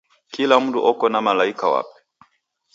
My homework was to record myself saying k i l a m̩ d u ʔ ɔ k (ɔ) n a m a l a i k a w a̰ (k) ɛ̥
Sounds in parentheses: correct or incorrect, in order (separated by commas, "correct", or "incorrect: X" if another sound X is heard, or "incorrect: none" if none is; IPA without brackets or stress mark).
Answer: correct, incorrect: p